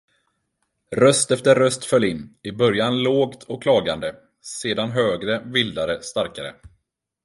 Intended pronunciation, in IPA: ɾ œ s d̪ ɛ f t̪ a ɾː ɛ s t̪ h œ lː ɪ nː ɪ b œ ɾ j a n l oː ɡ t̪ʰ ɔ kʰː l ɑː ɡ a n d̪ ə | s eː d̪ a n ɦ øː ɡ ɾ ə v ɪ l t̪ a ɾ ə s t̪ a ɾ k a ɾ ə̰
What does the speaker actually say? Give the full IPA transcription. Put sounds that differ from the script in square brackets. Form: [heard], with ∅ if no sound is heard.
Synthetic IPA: ɾ œ s [t̪] ɛ f t̪ [ə] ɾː [œ] s t̪ [f] œ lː ɪ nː ɪ b œ ɾ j a n l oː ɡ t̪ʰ ɔ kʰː l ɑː ɡ a n d̪ ə | s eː d̪ a n ɦ øː ɡ ɾ ə v ɪ l [d̪] a ɾ ə s t̪ a ɾ k a ɾ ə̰